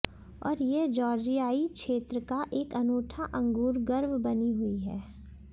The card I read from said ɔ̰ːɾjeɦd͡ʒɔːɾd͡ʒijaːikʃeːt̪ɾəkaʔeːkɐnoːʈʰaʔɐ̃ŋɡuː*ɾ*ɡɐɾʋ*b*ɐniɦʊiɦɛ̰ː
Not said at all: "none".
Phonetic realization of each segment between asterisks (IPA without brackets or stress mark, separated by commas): ɾ, b